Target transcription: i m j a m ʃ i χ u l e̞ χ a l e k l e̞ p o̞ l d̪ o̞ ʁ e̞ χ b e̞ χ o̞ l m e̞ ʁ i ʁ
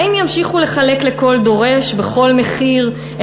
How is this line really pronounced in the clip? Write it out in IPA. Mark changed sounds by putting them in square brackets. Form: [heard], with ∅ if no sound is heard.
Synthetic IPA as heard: i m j a m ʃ i χ u l e̞ χ a l e k l e̞ [k] o̞ l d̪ o̞ ʁ e̞ [ʃ] b e̞ χ o̞ l m e̞ [χ] i ʁ